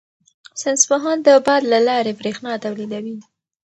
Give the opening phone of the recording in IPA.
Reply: s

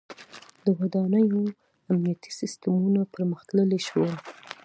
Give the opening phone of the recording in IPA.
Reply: d̪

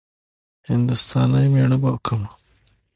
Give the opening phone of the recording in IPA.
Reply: h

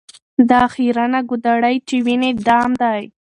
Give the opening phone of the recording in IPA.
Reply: d̪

